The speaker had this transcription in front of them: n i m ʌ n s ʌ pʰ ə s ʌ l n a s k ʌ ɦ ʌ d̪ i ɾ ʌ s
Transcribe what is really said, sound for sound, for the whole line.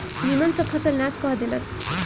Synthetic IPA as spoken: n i m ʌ n s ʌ pʰ ʌ s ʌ l n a s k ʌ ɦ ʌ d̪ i l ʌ s